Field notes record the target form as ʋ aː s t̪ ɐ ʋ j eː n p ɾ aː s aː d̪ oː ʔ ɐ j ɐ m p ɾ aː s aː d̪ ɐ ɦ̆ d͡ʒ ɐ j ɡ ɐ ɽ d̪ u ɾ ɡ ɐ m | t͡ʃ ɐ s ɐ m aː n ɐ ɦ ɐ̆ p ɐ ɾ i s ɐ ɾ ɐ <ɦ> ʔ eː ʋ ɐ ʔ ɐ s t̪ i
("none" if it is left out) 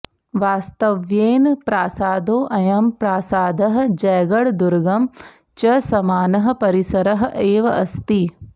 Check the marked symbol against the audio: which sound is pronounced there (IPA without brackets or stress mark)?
ɦ